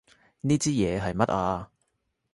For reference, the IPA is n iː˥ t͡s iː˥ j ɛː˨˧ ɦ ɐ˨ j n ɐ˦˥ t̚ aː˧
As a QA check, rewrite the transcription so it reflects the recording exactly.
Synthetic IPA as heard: n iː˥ t͡s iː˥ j ɛː˨˧ ɦ ɐ˨ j m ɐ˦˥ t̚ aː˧